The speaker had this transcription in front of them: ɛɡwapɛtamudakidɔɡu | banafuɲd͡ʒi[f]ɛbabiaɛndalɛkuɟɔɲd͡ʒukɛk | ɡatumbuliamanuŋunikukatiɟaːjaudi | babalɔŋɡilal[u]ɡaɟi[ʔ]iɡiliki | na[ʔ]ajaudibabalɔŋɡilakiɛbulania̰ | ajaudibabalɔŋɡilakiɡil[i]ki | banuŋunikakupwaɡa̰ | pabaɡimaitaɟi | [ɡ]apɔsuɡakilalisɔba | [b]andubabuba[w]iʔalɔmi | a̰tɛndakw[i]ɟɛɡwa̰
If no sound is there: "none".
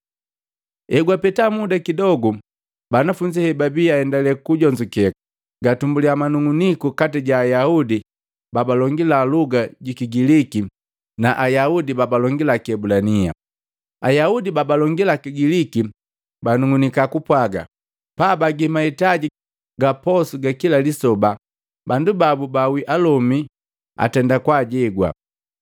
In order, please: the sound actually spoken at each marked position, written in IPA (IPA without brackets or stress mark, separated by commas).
h, u, k, ʔ, i, ɡ, b, w, a